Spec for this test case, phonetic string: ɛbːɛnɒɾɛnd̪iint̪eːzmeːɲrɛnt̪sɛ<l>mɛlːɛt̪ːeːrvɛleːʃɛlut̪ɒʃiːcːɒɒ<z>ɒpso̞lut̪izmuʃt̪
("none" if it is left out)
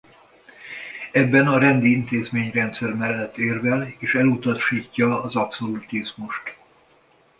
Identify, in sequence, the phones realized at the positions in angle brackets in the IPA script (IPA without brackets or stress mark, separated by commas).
r, z